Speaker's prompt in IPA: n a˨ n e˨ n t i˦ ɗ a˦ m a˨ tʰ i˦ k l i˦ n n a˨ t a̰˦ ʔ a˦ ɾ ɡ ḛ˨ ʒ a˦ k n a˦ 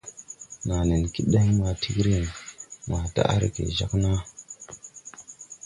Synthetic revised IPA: n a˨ n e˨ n k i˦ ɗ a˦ m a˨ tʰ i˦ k ɾ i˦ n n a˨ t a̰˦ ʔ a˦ ɾ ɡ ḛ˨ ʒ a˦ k n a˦